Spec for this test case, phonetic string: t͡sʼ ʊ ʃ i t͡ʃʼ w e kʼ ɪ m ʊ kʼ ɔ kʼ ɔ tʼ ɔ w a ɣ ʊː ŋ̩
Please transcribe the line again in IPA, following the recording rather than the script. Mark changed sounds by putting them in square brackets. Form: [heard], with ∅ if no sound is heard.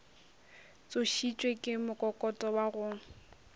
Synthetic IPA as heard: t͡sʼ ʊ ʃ i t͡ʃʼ w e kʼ ɪ m ʊ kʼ ɔ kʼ ɔ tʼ ɔ w a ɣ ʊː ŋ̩